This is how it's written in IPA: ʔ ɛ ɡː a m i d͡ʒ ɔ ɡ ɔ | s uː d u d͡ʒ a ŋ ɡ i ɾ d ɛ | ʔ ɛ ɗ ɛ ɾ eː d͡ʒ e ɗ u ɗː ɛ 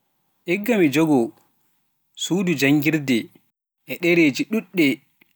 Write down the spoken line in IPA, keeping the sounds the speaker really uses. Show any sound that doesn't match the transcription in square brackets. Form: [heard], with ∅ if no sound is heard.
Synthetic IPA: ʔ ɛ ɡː a m i d͡ʒ ɔ ɡ ɔ | s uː d u d͡ʒ a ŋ ɡ i ɾ d ɛ | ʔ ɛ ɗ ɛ ɾ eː d͡ʒ [i] ɗ u ɗː ɛ